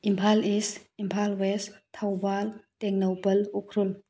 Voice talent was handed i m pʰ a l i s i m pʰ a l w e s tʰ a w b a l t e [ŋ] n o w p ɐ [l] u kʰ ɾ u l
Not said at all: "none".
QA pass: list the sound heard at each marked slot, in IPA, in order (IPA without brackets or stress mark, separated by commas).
ŋ, l